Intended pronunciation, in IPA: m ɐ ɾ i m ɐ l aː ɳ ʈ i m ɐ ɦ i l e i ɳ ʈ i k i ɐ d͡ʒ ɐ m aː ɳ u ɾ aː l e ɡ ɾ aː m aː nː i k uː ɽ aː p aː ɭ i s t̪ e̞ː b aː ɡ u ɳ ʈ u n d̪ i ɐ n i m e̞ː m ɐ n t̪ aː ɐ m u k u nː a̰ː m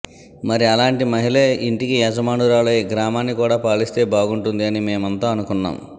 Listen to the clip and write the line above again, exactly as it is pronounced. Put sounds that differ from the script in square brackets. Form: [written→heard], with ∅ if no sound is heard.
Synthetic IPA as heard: m ɐ ɾ i [m→∅] ɐ l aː ɳ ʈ i m ɐ ɦ i l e i ɳ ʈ i k i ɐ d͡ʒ ɐ m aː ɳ u ɾ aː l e ɡ ɾ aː m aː nː i k uː ɽ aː p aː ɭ i s t̪ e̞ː b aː ɡ u ɳ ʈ u n d̪ i ɐ n i m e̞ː m ɐ n t̪ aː ɐ [m→n] u k u nː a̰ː m